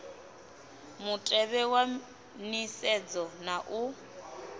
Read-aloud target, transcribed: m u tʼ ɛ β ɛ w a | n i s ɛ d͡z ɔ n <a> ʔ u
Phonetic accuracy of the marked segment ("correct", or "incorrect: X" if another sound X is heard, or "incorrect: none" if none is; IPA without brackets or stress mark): correct